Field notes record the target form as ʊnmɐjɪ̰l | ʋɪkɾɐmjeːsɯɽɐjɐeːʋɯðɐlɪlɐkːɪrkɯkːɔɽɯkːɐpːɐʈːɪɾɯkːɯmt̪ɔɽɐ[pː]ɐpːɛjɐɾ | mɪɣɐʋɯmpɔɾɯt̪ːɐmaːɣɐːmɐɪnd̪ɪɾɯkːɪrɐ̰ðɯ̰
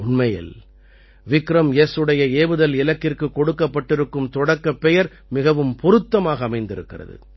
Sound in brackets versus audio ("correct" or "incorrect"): incorrect